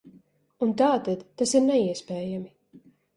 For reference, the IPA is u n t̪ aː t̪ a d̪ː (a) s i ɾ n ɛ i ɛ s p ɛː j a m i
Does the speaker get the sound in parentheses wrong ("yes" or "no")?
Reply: no